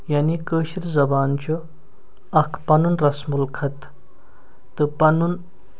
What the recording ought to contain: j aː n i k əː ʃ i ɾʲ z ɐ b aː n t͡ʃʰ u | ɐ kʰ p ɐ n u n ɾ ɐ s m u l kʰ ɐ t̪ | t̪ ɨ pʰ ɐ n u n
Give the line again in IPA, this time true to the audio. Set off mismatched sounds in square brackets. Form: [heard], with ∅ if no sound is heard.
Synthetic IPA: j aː n i k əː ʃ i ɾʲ z ɐ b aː n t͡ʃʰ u | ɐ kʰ p ɐ n u n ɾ ɐ s m u l kʰ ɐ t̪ | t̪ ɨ [p] ɐ n u n